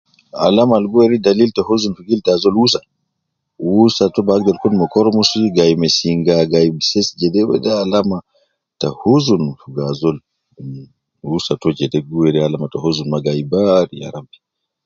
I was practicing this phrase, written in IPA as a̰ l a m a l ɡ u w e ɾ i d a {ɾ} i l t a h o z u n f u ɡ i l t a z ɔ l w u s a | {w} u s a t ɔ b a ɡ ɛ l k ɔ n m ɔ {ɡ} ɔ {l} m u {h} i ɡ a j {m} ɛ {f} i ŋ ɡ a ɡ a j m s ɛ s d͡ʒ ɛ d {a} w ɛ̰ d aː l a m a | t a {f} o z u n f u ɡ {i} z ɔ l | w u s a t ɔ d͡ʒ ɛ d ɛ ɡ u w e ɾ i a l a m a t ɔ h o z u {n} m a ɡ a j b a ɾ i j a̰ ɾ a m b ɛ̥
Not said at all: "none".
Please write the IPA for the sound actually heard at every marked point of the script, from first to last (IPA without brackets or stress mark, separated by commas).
l, w, k, ɾ, s, m, s, ɛ, h, a, n